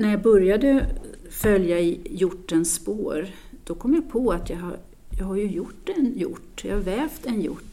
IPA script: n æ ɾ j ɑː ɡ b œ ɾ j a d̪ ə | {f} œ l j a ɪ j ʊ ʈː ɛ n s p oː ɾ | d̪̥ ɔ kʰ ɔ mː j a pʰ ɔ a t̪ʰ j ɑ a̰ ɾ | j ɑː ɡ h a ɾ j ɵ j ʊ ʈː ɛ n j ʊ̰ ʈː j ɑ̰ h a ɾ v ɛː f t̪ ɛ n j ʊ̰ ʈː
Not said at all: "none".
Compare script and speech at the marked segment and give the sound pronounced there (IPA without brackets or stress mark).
f